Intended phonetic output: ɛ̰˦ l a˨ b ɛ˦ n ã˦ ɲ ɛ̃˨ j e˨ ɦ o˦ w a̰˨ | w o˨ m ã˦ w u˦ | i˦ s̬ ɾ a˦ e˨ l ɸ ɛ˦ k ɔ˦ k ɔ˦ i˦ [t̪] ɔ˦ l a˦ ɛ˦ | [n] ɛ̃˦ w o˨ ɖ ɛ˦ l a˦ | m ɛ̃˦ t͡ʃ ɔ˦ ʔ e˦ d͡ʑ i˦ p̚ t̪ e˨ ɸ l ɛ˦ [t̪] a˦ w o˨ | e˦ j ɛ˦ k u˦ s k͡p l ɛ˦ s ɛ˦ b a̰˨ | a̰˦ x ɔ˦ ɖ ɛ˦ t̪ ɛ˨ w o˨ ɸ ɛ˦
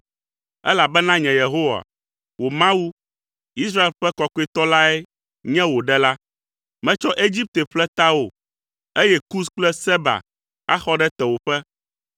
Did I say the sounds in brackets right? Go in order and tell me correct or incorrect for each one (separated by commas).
correct, incorrect, correct